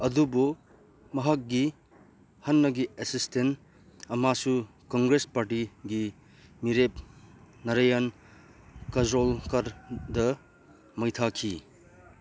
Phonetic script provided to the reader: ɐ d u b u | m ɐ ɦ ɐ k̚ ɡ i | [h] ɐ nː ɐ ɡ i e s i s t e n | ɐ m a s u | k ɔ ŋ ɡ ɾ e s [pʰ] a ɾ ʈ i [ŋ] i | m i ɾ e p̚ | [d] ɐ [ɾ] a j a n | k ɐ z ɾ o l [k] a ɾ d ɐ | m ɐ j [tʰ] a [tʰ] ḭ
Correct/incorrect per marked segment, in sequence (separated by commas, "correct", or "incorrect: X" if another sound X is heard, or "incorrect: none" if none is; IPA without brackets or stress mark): correct, incorrect: p, incorrect: ɡ, incorrect: n, correct, correct, correct, incorrect: kʰ